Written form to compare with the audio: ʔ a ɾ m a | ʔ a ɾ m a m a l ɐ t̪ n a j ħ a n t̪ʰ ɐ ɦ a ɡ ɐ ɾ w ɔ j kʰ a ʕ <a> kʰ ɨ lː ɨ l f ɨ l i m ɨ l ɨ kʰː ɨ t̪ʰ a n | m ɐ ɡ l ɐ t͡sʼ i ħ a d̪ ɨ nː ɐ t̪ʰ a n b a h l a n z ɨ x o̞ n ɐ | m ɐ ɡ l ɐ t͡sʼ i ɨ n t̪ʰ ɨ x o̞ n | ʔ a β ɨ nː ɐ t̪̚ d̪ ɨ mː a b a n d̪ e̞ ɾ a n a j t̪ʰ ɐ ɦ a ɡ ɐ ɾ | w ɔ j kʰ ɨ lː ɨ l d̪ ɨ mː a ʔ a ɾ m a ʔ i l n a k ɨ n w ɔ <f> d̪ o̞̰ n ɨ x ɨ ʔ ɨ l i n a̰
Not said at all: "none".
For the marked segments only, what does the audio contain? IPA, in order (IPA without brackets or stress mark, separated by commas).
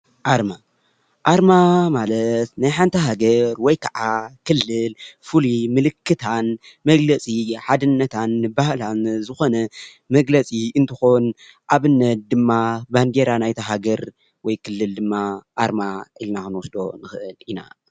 a, s